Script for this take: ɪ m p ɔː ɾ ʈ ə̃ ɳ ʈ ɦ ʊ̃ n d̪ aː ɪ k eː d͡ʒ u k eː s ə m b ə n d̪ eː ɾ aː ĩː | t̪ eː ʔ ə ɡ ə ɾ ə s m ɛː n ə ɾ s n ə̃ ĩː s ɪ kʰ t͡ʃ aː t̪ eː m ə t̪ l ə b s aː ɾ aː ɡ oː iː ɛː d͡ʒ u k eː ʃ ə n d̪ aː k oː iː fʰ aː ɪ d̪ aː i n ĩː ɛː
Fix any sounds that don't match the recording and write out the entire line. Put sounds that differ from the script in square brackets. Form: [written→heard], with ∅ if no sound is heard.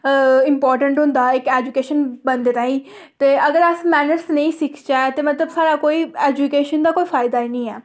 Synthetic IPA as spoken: ɪ m p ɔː ɾ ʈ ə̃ ɳ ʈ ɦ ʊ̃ n d̪ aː ɪ k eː d͡ʒ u k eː [s→ʃ] ə [m→n] b ə n d̪ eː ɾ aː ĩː | t̪ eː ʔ ə ɡ ə ɾ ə s m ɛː n ə ɾ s n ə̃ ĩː s ɪ kʰ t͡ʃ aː t̪ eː m ə t̪ l ə b s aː ɾ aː [ɡ→k] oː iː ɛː d͡ʒ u k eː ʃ ə n d̪ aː k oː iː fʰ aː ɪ d̪ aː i n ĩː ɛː